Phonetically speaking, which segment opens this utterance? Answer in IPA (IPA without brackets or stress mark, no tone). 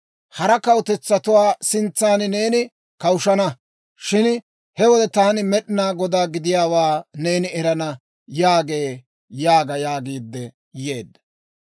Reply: h